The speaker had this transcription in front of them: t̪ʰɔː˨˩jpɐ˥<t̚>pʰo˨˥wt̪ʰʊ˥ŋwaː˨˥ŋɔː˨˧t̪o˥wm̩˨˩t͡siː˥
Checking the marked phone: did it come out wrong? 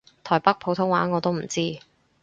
yes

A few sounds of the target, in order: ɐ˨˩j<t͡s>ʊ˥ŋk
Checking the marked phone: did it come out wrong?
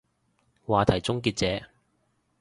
no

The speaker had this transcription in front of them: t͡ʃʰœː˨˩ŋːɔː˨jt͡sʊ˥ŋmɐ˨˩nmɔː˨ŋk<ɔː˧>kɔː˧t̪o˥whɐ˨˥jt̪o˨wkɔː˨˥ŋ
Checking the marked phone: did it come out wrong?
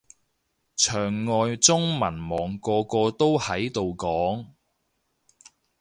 no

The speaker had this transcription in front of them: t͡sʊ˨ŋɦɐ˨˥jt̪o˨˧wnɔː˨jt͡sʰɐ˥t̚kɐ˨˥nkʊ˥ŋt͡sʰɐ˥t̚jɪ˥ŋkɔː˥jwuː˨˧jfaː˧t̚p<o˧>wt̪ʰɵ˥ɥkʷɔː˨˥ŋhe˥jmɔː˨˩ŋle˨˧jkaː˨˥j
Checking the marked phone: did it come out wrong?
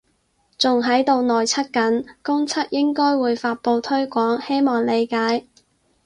no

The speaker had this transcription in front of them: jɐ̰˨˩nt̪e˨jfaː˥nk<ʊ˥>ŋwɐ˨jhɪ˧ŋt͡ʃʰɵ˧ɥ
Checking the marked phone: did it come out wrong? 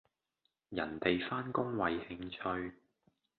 no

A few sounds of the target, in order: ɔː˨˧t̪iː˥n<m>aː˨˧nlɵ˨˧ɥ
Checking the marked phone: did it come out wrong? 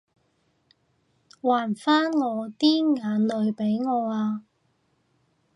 yes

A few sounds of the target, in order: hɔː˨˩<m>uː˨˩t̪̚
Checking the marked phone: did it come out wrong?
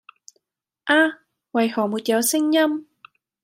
no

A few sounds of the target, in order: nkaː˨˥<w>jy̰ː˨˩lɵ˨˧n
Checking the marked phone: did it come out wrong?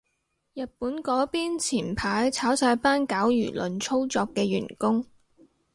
no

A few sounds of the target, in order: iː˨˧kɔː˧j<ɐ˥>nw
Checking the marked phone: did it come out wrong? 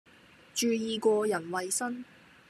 yes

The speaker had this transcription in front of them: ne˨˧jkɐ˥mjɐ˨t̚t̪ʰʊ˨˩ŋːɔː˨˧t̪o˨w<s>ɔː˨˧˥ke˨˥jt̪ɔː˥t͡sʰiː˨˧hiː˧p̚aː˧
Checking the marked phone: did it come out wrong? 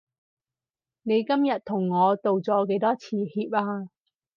yes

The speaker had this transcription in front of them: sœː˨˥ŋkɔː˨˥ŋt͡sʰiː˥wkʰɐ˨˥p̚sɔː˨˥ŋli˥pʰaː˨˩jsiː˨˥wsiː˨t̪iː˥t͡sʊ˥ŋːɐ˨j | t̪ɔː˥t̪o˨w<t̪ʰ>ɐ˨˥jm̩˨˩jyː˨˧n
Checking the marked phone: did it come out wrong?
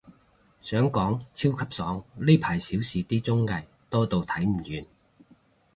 no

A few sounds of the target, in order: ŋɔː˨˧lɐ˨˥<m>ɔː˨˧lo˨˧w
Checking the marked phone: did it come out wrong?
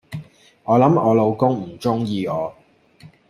no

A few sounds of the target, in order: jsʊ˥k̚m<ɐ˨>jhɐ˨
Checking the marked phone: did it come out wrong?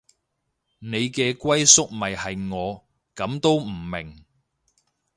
no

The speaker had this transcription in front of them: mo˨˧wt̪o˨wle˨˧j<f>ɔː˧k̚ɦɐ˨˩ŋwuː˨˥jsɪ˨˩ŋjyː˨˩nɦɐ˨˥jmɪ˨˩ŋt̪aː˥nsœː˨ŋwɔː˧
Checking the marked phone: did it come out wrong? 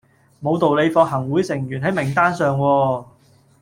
no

